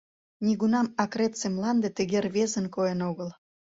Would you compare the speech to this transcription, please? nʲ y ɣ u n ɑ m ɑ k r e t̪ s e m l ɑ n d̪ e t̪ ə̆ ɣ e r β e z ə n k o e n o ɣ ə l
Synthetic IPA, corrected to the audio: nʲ i ɣ u n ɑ m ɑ k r e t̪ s e m l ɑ n d̪ e t̪ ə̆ ɣ e r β e z ə n k o e n o ɣ ə l

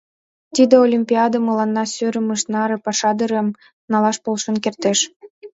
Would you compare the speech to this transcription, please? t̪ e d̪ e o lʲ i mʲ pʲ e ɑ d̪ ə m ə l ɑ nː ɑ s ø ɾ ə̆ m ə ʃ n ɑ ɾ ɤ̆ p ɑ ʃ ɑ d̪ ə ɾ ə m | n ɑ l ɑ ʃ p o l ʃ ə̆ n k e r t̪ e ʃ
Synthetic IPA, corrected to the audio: t̪ i d̪ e o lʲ i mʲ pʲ i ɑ d̪ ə m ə l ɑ nː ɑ s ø ɾ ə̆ m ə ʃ n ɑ ɾ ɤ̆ p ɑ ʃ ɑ d̪ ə ɾ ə m | n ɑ l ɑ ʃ p o l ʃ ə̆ n k e r t̪ e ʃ

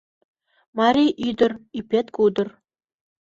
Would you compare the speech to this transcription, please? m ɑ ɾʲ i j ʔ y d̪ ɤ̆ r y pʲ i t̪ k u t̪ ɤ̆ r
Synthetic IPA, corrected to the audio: m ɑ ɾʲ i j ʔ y d̪ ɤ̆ r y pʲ e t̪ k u d̪ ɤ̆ r

